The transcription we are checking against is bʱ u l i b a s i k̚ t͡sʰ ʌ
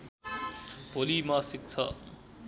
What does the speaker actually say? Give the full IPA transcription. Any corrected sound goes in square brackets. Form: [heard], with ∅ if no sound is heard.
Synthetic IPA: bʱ [o] l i [m] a s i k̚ t͡sʰ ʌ